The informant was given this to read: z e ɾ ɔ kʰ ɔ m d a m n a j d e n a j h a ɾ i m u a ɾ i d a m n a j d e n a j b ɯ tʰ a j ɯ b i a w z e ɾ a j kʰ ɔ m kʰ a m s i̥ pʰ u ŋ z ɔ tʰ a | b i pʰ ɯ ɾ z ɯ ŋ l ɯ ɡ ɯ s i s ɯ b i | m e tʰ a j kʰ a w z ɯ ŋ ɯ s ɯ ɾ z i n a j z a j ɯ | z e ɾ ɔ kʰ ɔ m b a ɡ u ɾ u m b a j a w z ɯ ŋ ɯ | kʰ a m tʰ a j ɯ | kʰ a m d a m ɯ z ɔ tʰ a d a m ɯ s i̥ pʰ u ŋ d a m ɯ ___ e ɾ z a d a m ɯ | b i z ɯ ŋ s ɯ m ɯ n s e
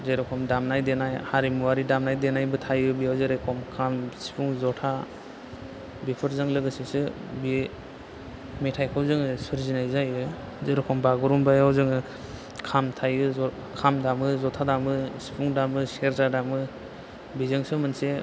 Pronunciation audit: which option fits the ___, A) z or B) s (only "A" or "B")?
B